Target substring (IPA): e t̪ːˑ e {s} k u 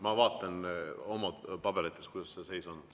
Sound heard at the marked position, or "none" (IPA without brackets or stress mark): s